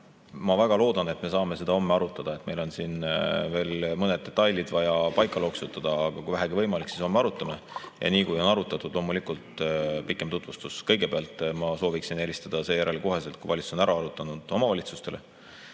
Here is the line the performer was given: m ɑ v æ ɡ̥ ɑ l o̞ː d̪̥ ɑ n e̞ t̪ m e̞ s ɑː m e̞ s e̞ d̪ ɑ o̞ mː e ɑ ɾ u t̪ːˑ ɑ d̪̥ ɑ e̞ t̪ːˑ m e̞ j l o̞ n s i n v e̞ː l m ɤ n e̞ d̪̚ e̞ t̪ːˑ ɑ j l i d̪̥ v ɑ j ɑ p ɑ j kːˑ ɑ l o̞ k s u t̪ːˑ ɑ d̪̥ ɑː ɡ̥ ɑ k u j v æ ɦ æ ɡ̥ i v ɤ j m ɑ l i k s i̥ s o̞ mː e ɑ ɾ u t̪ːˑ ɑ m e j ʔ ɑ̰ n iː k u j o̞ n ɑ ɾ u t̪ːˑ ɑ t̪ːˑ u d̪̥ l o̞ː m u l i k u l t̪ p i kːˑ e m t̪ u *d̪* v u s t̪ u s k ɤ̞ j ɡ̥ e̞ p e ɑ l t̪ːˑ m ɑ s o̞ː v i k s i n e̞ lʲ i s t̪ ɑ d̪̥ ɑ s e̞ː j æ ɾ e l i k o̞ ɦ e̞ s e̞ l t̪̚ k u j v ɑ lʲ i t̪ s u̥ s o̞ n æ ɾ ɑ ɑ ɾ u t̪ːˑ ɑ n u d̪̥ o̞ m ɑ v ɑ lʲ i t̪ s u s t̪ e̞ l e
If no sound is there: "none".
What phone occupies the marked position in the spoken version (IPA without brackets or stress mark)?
t̪